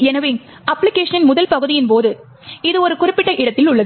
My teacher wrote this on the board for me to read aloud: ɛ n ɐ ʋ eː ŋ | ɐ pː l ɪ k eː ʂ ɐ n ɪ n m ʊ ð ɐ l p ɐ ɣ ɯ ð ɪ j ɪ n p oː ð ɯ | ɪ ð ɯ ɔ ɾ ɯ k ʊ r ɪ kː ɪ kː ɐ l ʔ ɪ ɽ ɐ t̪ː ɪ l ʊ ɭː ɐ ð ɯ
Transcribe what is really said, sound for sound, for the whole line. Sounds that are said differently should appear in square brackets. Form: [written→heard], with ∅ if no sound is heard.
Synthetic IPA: ɛ n ɐ ʋ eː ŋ | ɐ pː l ɪ k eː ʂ ɐ n ɪ n m ʊ ð ɐ l p ɐ ɣ ɯ ð ɪ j ɪ n p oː ð ɯ | ɪ ð ɯ ɔ ɾ ɯ k ʊ r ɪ [kː→pː] ɪ [kː→ʈː] ɐ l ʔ ɪ ɽ ɐ t̪ː ɪ l ʊ ɭː ɐ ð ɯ